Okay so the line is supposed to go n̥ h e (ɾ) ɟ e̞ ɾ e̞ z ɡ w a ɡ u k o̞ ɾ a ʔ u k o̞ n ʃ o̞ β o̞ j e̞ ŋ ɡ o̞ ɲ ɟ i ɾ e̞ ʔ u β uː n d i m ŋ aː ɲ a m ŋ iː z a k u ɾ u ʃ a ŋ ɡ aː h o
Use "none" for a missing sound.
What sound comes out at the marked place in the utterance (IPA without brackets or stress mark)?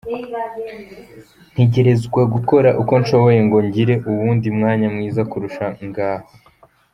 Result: none